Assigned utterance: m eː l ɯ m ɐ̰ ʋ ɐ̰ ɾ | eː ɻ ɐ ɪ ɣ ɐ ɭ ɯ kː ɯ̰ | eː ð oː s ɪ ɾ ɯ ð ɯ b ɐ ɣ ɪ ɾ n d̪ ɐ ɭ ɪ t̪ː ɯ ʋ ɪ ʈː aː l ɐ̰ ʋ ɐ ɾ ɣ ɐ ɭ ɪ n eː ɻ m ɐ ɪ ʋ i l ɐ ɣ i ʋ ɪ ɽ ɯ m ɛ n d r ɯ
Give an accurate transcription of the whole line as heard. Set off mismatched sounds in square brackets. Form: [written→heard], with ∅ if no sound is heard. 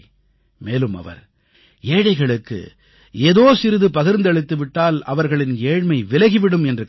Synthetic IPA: m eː l ɯ m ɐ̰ ʋ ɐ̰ ɾ | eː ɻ ɐ ɪ ɣ ɐ ɭ ɯ kː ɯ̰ | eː ð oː s ɪ ɾ ɯ ð ɯ [b→p] ɐ ɣ ɪ ɾ n d̪ ɐ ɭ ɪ t̪ː ɯ ʋ ɪ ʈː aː l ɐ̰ ʋ ɐ ɾ ɣ ɐ ɭ ɪ n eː ɻ m ɐ ɪ ʋ [i→ɪ] l ɐ ɣ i ʋ ɪ ɽ ɯ m ɛ n d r ɯ